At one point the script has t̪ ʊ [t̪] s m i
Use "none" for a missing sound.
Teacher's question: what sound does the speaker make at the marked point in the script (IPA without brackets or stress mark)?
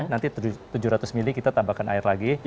none